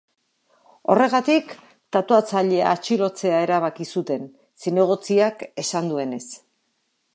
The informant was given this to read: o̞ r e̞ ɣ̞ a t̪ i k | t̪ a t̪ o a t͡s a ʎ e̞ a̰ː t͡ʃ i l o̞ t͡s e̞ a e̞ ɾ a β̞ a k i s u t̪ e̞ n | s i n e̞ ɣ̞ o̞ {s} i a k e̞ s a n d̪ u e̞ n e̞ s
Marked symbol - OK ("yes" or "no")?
no